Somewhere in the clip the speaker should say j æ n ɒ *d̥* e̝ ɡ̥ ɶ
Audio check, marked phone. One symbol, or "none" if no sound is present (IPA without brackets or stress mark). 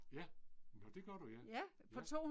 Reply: d̥